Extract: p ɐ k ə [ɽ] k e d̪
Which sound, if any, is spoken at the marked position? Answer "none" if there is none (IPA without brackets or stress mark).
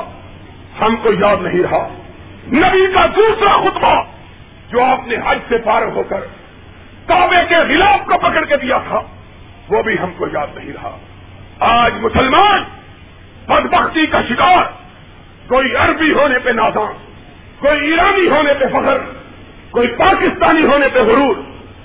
ɽ